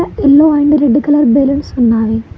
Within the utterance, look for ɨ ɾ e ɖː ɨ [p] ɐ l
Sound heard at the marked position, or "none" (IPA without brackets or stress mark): k